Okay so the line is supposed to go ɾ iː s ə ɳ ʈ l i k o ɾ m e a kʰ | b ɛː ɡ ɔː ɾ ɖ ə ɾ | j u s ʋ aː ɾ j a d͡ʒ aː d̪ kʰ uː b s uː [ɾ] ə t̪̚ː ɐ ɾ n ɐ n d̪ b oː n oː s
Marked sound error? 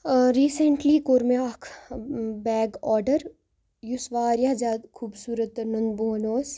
no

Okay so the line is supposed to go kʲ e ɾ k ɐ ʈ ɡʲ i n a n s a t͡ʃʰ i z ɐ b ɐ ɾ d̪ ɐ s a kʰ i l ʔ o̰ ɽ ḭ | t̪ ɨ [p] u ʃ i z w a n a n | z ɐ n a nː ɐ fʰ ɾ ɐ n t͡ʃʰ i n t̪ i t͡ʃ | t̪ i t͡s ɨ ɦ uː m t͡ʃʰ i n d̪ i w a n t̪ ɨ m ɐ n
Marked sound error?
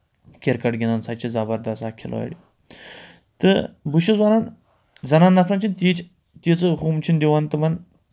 yes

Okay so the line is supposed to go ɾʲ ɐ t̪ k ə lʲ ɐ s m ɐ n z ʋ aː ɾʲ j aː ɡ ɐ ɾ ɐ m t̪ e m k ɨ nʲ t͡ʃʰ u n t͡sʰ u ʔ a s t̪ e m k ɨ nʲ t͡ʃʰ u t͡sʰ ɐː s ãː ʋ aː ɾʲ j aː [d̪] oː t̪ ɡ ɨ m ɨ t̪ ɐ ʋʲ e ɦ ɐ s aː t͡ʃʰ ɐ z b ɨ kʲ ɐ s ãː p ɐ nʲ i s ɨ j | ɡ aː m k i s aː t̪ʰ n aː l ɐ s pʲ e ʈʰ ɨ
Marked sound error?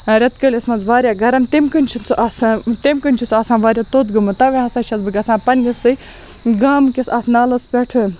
yes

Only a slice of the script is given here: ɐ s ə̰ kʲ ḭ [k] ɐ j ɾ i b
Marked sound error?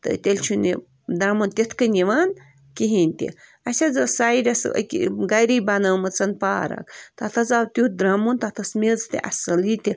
yes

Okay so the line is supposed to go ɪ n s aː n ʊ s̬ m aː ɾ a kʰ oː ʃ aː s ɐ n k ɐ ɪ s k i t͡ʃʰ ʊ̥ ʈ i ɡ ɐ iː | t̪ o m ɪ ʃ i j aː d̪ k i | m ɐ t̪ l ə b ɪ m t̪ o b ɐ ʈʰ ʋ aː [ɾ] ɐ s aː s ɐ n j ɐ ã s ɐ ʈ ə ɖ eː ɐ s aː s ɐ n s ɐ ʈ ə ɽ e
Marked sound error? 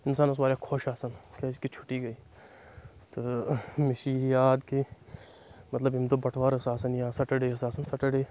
no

